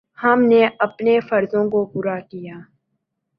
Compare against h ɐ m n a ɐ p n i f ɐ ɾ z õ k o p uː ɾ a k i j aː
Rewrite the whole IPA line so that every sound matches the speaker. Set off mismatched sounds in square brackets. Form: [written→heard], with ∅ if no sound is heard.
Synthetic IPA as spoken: h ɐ m n [a→e] ɐ p n [i→e] f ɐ ɾ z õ k o p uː ɾ a k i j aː